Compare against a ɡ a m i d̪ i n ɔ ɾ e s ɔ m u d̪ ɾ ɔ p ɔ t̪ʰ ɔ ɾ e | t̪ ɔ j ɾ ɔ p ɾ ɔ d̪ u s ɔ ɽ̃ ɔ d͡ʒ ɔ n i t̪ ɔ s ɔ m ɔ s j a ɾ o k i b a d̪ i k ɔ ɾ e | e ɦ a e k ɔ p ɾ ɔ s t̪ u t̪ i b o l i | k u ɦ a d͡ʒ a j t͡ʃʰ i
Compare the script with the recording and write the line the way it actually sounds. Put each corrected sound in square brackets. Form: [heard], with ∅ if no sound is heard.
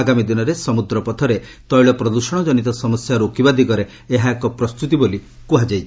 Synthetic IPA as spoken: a ɡ a m i d̪ i n ɔ ɾ e s ɔ m u d̪ ɾ ɔ p ɔ t̪ʰ ɔ ɾ e | t̪ ɔ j [ɭ] ɔ p ɾ ɔ d̪ u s ɔ ɽ̃ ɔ d͡ʒ ɔ n i t̪ ɔ s ɔ m ɔ s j a ɾ o k i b a d̪ i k ɔ ɾ e | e ɦ a e k ɔ p ɾ ɔ s t̪ u t̪ i b o l i | k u ɦ a d͡ʒ a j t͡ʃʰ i